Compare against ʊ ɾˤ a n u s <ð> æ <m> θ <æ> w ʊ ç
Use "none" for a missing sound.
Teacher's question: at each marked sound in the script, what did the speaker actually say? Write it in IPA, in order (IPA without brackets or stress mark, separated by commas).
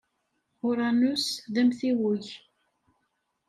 ð, m, i